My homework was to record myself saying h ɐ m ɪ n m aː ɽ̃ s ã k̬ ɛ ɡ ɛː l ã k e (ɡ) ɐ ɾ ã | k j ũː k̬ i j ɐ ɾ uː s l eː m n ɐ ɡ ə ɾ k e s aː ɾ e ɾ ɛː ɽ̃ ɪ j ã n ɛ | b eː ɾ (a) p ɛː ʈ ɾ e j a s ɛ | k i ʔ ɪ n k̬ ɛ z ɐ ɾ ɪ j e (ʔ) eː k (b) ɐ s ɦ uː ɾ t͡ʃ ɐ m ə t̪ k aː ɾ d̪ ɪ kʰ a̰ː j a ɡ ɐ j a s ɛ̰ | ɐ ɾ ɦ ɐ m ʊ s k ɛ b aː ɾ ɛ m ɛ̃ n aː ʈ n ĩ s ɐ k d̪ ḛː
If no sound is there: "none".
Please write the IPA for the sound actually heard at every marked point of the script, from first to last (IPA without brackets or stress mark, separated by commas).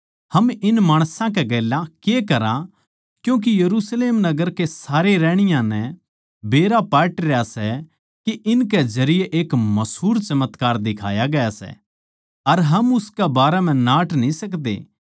k, a, ʔ, m